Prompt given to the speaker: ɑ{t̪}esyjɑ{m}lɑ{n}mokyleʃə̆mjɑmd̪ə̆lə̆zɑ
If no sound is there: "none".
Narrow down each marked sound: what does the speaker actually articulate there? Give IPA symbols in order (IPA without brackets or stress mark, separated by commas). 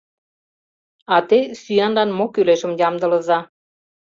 t̪, n, n